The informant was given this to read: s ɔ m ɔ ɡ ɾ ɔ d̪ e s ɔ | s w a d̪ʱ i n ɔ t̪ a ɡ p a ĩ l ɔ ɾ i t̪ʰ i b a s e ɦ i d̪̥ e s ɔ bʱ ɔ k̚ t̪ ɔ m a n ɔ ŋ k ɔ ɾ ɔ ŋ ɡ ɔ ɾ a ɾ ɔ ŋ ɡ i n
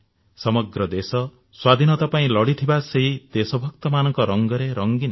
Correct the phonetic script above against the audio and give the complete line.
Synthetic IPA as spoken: s ɔ m ɔ ɡ ɾ ɔ d̪ e s ɔ | s w a d̪ʱ i n ɔ t̪ a p a ĩ l ɔ ɽ i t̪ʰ i b a s e ɦ i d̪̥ e s ɔ bʱ ɔ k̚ t̪ ɔ m a n ɔ ŋ k ɔ ɾ ɔ ŋ ɡ ɔ ɾ e ɾ ɔ ŋ ɡ i n